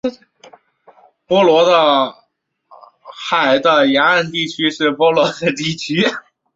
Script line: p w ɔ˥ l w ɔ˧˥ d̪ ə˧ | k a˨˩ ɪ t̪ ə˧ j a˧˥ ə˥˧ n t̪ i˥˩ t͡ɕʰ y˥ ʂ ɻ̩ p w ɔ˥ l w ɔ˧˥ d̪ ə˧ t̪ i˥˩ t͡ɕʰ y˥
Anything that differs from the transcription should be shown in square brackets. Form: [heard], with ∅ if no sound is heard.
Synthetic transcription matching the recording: p w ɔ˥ l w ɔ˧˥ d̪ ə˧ | [x] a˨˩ ɪ [d̪] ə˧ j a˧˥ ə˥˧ n t̪ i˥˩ t͡ɕʰ y˥ ʂ ɻ̩ p w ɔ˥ l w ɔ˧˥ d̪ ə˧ t̪ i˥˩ t͡ɕʰ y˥

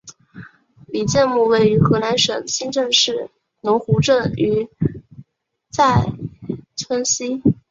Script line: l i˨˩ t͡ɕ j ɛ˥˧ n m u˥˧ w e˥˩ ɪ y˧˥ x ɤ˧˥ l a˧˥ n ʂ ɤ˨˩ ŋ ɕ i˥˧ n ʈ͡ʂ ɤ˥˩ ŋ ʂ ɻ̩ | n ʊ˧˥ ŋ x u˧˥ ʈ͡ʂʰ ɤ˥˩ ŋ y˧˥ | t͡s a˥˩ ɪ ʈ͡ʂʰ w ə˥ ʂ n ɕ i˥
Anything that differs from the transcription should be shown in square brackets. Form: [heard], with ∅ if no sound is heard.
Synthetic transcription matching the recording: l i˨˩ t͡ɕ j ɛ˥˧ n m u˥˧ w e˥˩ ɪ y˧˥ x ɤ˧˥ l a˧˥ n ʂ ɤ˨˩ ŋ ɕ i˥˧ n ʈ͡ʂ [ɤ˥˧] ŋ ʂ ɻ̩ | n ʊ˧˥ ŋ x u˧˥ [ʈ͡ʂ] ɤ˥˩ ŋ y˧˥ | t͡s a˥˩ ɪ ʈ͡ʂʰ w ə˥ [∅] n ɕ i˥

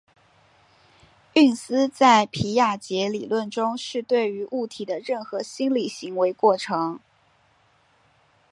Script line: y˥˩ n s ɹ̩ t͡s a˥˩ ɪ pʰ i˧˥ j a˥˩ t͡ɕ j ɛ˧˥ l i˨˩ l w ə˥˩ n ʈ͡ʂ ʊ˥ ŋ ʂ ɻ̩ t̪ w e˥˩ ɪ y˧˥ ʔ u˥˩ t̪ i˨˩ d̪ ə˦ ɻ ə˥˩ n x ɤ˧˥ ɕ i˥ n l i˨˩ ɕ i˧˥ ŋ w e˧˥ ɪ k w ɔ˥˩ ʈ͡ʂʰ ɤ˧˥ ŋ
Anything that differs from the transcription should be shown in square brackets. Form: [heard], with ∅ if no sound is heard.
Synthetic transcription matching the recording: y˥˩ n s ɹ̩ t͡s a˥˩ ɪ pʰ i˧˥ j a˥˩ t͡ɕ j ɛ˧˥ l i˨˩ l w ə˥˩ n ʈ͡ʂ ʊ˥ ŋ ʂ ɻ̩ t̪ w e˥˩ ɪ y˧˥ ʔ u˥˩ [t̪ʰ] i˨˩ d̪ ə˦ ɻ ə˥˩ n x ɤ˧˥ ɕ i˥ n l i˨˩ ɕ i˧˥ ŋ w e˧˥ ɪ k w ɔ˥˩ ʈ͡ʂʰ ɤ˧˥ ŋ

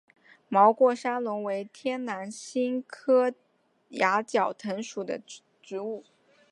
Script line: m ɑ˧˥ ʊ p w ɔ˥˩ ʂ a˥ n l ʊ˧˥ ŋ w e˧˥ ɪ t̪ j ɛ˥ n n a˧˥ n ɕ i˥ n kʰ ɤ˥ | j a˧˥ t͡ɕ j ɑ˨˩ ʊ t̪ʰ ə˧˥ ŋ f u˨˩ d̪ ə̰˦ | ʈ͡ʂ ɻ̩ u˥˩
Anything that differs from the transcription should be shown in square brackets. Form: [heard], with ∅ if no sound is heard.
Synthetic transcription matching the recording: m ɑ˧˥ ʊ [k] w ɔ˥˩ ʂ a˥ n l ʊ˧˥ ŋ w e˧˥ ɪ [t̪ʰ] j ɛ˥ n n a˧˥ n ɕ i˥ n kʰ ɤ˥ | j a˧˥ t͡ɕ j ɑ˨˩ ʊ t̪ʰ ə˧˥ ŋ [ʂ] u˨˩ d̪ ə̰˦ | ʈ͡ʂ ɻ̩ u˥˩

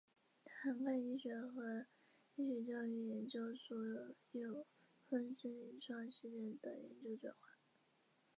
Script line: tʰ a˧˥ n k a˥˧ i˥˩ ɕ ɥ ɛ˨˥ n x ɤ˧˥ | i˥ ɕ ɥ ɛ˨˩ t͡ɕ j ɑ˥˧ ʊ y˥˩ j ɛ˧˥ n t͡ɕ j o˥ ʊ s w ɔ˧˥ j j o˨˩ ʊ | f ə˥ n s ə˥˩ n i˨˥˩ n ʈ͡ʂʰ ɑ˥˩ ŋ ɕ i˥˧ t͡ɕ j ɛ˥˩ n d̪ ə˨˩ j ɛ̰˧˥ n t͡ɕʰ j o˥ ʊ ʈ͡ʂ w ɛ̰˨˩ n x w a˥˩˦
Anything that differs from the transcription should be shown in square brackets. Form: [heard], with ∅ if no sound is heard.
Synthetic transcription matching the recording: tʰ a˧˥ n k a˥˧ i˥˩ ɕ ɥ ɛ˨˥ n x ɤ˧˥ | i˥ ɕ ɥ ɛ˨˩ t͡ɕ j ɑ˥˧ ʊ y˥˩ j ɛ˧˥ n t͡ɕ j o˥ ʊ s w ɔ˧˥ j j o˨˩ ʊ | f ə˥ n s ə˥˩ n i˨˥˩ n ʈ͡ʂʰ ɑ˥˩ ŋ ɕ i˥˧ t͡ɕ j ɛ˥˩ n d̪ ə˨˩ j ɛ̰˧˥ n [t͡ɕ] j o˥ ʊ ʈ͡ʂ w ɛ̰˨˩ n x w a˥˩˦

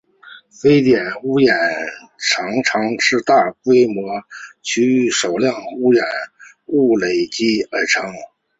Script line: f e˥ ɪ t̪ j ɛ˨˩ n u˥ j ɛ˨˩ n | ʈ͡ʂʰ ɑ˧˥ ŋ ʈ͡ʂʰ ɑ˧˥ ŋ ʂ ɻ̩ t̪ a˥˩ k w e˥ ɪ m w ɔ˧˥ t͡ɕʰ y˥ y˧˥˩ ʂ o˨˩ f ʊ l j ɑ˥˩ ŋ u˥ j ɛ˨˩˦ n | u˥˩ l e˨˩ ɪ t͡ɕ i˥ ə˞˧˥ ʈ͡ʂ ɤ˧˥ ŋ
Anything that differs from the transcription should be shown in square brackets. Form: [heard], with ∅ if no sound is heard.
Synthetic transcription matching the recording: f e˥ ɪ t̪ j ɛ˨˩ n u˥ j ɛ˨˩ n | ʈ͡ʂʰ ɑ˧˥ ŋ ʈ͡ʂʰ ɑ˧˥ ŋ ʂ ɻ̩ t̪ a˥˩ k w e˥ ɪ m w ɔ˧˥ t͡ɕʰ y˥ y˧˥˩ ʂ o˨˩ [∅] ʊ l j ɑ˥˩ ŋ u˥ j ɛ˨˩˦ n | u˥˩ l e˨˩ ɪ t͡ɕ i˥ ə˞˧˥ [ʈ͡ʂʰ] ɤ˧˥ ŋ

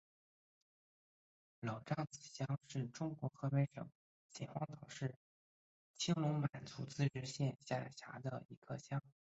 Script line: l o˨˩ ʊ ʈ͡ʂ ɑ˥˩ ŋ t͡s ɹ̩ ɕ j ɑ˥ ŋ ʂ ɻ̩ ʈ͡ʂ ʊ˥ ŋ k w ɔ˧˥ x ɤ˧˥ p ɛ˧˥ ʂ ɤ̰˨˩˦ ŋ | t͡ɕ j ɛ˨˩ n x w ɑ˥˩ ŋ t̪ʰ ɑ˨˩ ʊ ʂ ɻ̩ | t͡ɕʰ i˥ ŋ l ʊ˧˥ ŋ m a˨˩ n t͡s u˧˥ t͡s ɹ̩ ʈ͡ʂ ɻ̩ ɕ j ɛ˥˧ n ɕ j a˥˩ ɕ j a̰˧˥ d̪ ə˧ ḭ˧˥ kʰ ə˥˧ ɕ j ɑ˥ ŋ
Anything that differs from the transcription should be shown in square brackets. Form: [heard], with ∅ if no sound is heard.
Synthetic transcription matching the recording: l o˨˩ ʊ ʈ͡ʂ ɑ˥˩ ŋ t͡s ɹ̩ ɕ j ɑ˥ ŋ ʂ ɻ̩ ʈ͡ʂ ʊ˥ ŋ k w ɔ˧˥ x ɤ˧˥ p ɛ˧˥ ʂ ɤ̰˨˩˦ ŋ | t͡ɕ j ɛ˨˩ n x w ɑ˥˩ ŋ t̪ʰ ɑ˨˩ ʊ ʂ ɻ̩ | t͡ɕʰ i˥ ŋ l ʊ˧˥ ŋ m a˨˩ n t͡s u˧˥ t͡s ɹ̩ ʈ͡ʂ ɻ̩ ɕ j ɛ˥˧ n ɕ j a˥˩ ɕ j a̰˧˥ d̪ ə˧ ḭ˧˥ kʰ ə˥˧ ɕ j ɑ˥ ŋ

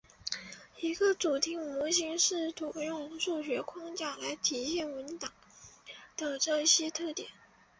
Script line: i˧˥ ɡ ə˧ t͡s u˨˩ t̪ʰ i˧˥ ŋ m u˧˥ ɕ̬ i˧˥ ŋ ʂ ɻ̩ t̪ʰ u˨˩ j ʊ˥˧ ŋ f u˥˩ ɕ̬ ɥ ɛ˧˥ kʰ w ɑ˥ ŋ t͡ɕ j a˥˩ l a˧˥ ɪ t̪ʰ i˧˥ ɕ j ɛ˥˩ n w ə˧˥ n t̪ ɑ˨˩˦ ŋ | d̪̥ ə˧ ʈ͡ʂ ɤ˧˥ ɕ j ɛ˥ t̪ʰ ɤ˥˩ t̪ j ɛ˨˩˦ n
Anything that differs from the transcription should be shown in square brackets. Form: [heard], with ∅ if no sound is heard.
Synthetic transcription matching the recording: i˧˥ ɡ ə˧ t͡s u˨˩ t̪ʰ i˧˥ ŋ m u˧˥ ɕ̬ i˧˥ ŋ ʂ ɻ̩ t̪ʰ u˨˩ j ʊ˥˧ ŋ [ʂ] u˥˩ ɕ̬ ɥ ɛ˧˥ kʰ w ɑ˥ ŋ t͡ɕ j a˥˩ l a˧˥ ɪ t̪ʰ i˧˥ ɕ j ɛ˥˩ n w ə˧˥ n t̪ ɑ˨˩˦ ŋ | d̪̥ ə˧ ʈ͡ʂ [ɤ˥˩] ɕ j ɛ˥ t̪ʰ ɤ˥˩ t̪ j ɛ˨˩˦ n

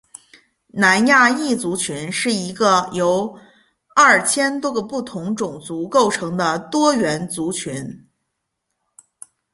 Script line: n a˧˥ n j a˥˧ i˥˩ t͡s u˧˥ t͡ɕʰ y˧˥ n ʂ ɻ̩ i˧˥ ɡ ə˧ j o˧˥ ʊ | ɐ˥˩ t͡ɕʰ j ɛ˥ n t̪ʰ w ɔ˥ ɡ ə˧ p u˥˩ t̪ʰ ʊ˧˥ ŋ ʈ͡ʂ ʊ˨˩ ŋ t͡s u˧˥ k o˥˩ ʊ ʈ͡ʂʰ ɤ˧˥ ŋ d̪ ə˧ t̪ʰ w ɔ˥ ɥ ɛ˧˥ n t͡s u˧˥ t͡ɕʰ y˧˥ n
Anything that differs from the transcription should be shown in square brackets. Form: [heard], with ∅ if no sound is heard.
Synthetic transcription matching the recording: n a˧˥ n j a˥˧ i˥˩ t͡s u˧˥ t͡ɕʰ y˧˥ n ʂ ɻ̩ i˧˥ ɡ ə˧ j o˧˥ ʊ | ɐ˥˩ t͡ɕʰ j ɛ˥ n [t̪] w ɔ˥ ɡ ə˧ p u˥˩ t̪ʰ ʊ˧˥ ŋ ʈ͡ʂ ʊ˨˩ ŋ t͡s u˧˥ k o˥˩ ʊ ʈ͡ʂʰ ɤ˧˥ ŋ d̪ ə˧ [t̪] w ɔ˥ ɥ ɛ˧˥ n t͡s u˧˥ t͡ɕʰ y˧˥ n

